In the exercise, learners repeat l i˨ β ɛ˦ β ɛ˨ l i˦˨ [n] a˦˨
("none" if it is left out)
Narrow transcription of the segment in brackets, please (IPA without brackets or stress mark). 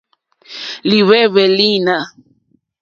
n